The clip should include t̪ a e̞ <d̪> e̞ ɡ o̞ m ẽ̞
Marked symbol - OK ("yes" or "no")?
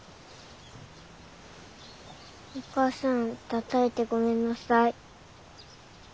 no